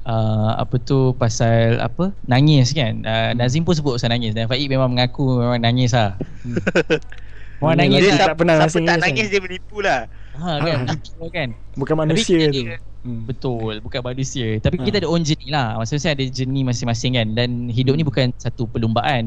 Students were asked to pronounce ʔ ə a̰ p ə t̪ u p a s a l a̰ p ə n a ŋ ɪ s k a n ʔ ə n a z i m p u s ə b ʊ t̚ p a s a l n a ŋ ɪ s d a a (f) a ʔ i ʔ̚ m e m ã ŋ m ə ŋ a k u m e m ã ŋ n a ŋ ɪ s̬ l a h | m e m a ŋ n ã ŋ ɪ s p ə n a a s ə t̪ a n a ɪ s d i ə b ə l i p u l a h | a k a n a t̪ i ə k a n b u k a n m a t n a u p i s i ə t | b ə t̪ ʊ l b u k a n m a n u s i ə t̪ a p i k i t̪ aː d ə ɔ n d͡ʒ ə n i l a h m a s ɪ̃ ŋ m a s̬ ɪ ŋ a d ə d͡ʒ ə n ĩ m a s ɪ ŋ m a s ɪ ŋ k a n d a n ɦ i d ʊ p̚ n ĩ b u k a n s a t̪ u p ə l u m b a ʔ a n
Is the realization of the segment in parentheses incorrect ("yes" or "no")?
no